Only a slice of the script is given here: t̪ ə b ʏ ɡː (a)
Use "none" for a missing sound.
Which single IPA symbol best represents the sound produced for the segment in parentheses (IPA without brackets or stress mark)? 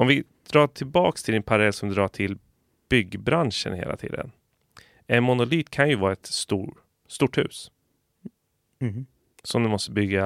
a